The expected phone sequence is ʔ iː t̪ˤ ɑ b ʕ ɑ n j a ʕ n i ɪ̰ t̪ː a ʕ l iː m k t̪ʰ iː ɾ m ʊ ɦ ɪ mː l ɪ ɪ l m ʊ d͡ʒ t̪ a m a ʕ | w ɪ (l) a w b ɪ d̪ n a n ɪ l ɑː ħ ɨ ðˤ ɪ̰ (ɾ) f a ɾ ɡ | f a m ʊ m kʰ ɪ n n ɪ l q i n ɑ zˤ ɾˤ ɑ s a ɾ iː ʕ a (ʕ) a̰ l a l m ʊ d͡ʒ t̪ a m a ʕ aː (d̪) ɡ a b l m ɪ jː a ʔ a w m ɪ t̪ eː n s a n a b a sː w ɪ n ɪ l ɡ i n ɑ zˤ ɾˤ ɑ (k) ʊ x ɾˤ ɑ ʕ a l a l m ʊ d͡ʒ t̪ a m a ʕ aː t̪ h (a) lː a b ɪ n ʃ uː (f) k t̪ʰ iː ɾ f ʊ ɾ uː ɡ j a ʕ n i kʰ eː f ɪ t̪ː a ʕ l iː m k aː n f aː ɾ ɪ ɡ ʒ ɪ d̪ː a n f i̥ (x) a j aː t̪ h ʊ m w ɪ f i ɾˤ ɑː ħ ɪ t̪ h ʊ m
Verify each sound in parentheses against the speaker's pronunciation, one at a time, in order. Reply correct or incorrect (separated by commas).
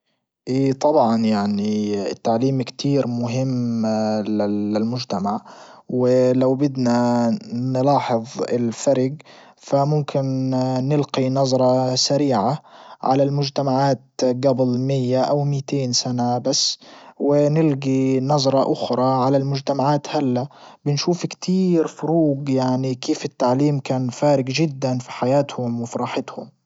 correct, incorrect, correct, incorrect, incorrect, correct, correct, incorrect